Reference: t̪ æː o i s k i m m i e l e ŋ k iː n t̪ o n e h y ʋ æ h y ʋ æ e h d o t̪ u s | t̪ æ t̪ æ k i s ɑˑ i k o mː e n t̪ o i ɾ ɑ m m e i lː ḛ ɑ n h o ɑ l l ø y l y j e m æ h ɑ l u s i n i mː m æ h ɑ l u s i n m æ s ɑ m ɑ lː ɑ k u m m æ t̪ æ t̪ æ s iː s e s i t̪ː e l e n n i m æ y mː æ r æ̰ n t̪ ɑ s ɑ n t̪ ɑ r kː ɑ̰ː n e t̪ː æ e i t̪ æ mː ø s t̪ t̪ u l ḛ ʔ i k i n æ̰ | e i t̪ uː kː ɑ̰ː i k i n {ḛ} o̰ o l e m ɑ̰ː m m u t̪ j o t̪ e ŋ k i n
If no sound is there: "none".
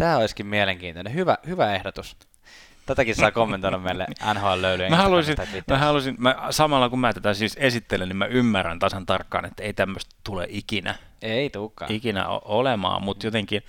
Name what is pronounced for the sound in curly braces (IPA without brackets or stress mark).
æ̰